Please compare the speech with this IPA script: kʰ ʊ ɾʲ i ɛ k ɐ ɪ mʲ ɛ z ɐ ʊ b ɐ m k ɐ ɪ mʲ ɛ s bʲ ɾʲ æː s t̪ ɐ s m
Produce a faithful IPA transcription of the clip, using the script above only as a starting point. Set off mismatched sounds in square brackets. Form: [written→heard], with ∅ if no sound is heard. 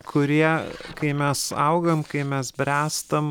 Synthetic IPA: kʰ ʊ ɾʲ i ɛ k ɐ ɪ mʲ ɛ [z→s] ɐ ʊ [b→ɡ] ɐ m k ɐ ɪ mʲ ɛ s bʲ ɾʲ æː s t̪ ɐ [s→∅] m